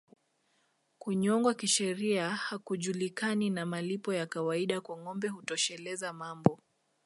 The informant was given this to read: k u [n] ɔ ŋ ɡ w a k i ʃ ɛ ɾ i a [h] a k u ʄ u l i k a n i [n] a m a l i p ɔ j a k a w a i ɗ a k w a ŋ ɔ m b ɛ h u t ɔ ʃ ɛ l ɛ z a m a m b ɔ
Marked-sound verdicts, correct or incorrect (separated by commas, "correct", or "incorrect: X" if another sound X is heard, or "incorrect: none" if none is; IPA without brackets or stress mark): incorrect: ɲ, correct, correct